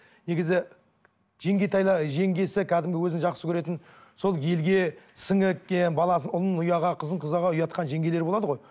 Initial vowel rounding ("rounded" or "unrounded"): unrounded